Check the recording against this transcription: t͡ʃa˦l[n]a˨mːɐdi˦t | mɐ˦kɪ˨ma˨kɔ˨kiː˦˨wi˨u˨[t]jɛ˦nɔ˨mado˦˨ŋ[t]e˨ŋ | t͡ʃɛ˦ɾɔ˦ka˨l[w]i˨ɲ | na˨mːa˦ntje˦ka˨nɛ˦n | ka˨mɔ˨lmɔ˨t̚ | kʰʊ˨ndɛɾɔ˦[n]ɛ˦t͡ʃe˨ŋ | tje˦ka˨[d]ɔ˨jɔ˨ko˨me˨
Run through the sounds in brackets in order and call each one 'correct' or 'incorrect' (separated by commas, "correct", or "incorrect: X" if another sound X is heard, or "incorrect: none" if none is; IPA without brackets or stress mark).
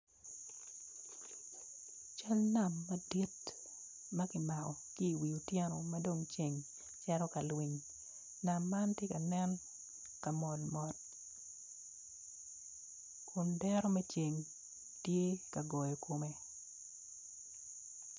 correct, correct, incorrect: t͡ʃ, correct, incorrect: m, incorrect: ɡ